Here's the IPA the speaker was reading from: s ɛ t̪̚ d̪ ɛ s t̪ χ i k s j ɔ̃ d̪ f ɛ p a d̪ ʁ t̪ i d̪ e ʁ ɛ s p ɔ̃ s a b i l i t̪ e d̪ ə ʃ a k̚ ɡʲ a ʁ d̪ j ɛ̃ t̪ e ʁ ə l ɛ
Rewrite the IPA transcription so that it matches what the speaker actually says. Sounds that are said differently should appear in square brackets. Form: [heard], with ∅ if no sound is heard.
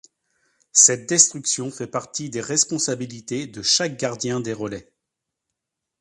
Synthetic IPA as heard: s ɛ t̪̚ d̪ ɛ s t̪ χ [y] k s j ɔ̃ [∅] f ɛ p a [∅] ʁ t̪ i d̪ e ʁ ɛ s p ɔ̃ s a b i l i t̪ e d̪ ə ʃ a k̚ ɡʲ a ʁ d̪ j ɛ̃ [d̪] e ʁ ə l ɛ

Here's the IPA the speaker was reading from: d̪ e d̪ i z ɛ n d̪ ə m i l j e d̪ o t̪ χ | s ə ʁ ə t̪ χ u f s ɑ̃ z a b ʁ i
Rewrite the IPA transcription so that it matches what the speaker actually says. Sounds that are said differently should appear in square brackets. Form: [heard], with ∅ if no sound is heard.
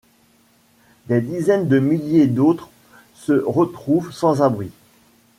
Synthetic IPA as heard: d̪ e d̪ i z ɛ n d̪ ə m i l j e d̪ o t̪ χ | s ə ʁ ə t̪ χ u [v] s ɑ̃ z a b ʁ i

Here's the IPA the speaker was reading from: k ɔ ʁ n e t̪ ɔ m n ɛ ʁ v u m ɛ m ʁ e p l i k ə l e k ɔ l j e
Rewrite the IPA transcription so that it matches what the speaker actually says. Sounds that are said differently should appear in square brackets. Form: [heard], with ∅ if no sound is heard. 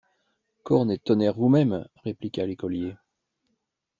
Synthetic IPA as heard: k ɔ ʁ n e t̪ ɔ [∅] n ɛ ʁ v u m ɛ m ʁ e p l i k [a] l e k ɔ l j e

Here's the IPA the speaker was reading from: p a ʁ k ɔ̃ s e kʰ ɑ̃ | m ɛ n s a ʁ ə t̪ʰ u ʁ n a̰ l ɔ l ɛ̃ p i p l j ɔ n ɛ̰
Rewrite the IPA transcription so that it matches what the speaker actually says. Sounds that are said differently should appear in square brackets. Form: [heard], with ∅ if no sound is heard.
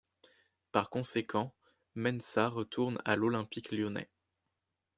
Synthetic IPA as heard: p a ʁ k ɔ̃ s e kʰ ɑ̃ | m ɛ n s a ʁ ə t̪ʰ u ʁ n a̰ l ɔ l ɛ̃ p i [k] l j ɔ n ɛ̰

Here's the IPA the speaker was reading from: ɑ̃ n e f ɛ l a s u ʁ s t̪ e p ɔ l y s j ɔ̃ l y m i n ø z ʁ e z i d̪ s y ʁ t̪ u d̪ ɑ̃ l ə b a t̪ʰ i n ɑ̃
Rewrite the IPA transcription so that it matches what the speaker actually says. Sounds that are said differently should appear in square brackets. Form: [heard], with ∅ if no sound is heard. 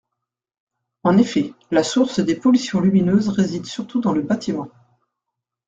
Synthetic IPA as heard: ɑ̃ n e f ɛ l a s u ʁ s [d̪] e p ɔ l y s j ɔ̃ l y m i n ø z ʁ e z i d̪ s y ʁ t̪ u d̪ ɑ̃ l ə b a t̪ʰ i [m] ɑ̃

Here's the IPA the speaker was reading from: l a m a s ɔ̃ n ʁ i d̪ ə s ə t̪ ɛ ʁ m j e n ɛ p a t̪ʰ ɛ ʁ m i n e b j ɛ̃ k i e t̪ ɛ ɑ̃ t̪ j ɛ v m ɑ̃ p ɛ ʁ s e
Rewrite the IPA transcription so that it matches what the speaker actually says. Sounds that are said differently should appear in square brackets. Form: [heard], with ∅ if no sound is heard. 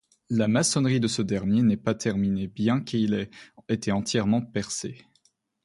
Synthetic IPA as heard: l a m a s [ɔ] n ʁ i d̪ ə s ə [d̪] ɛ ʁ m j e n ɛ p a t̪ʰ ɛ ʁ m i n e b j ɛ̃ k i e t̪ ɛ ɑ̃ t̪ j ɛ [ʁ] m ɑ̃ p ɛ ʁ s e

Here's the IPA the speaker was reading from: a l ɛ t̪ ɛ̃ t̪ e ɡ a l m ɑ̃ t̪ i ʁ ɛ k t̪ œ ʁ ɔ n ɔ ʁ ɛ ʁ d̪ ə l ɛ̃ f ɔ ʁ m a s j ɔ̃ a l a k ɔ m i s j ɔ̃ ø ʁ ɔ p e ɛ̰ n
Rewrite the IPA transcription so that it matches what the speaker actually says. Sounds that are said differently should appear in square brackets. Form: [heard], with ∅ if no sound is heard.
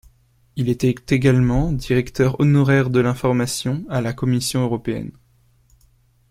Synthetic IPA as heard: [i] l ɛ t̪ [ɛ] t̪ e ɡ a l m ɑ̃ [d̪] i ʁ ɛ k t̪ œ ʁ ɔ n ɔ ʁ ɛ ʁ d̪ ə l ɛ̃ f ɔ ʁ m a s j ɔ̃ a l a k ɔ m i s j ɔ̃ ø ʁ ɔ p e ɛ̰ n

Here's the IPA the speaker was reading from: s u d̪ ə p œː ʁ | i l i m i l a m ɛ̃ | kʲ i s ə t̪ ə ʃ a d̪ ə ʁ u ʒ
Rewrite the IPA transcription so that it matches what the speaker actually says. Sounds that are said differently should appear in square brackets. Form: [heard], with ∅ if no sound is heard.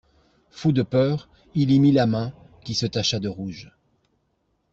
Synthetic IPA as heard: [f] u d̪ ə p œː ʁ | i l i m i l a m ɛ̃ | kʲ i s ə t̪ [a] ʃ a d̪ ə ʁ u ʒ

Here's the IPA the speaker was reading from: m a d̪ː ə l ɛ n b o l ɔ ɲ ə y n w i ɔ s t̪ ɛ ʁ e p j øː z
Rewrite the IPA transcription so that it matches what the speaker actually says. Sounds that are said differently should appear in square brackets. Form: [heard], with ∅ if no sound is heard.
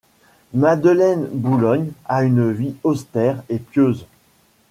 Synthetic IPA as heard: m a [d̪] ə l ɛ n b [u] l ɔ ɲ [a] y n [v] i ɔ s t̪ ɛ ʁ e p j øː z

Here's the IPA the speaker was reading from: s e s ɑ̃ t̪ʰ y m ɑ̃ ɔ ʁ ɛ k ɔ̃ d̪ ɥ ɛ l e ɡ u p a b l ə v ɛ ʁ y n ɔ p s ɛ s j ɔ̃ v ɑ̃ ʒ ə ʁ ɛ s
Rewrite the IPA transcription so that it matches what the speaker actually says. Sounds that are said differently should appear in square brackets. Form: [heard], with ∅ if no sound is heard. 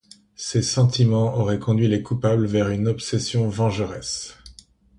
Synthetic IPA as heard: s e s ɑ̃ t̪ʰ [i] m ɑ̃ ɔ ʁ ɛ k ɔ̃ d̪ ɥ [i] l e [k] u p a b l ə v ɛ ʁ y n ɔ p s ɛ s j ɔ̃ v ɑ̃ ʒ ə ʁ ɛ s

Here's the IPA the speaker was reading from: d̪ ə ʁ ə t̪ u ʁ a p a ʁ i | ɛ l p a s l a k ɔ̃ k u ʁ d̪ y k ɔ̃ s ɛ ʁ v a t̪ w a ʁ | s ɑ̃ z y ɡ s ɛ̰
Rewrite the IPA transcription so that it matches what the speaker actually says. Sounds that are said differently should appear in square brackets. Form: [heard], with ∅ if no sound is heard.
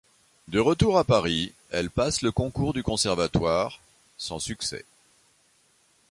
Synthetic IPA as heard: d̪ ə ʁ ə t̪ u ʁ a p a ʁ i | ɛ l p a s l [ə] k ɔ̃ k u ʁ d̪ y k ɔ̃ s ɛ ʁ v a t̪ w a ʁ | s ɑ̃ [s] y [k] s ɛ̰

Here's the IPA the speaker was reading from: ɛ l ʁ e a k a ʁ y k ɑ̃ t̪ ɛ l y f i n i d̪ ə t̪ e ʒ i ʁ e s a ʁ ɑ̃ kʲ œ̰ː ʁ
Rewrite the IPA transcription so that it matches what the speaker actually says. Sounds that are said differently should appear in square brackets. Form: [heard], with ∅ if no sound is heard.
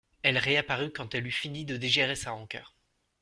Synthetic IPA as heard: ɛ l ʁ e a [p] a ʁ y k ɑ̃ t̪ ɛ l y f i n i d̪ ə [d̪] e ʒ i ʁ e s a ʁ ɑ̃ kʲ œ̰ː ʁ

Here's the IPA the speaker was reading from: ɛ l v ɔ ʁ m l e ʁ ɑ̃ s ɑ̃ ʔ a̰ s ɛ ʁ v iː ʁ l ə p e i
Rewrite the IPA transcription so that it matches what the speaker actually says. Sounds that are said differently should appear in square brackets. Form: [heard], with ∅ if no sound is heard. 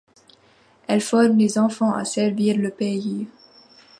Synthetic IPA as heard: ɛ l [f] ɔ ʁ m l e [z] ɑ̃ [f] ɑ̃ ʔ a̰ s ɛ ʁ v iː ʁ l ə p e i

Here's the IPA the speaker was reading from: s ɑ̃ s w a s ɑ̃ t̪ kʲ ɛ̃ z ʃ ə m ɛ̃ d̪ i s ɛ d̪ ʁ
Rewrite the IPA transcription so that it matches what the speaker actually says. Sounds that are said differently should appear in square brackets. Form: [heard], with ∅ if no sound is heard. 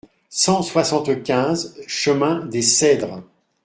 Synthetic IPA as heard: s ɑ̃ s w a s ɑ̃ t̪ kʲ ɛ̃ z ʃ ə m ɛ̃ d̪ [e] s ɛ d̪ ʁ

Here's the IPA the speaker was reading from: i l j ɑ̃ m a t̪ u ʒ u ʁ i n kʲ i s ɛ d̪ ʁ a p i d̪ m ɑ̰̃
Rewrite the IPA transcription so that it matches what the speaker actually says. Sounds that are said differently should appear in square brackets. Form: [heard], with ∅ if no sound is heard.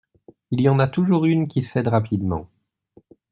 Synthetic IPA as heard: i l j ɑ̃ [n] a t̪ u ʒ u ʁ [y] n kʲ i s ɛ d̪ ʁ a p i d̪ m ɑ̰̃

